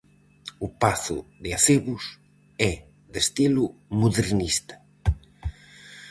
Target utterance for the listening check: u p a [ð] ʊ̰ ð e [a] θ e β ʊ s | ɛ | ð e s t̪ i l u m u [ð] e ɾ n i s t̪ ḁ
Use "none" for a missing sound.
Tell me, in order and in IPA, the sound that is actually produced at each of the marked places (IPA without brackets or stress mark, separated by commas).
θ, a, ð